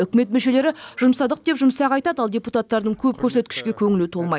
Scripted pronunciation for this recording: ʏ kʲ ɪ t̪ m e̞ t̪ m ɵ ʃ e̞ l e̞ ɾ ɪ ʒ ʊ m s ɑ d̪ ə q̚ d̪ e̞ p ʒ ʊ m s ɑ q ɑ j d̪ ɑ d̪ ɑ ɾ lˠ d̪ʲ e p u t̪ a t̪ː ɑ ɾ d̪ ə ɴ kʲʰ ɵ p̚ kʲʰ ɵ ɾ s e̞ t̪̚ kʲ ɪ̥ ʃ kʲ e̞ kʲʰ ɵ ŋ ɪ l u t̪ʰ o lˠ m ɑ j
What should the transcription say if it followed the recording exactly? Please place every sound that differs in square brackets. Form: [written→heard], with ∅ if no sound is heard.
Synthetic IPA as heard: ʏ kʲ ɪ [t̪→∅] m e̞ t̪ m ɵ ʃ e̞ l e̞ ɾ ɪ ʒ ʊ m s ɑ d̪ ə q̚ d̪ e̞ p ʒ ʊ m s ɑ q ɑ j [d̪→t̪] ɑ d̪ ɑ [ɾ→∅] lˠ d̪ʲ e p u t̪ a t̪ː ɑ ɾ d̪ ə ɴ kʲʰ ɵ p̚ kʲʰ ɵ ɾ s e̞ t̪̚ kʲ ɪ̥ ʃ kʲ e̞ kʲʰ ɵ ŋ ɪ l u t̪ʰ o lˠ m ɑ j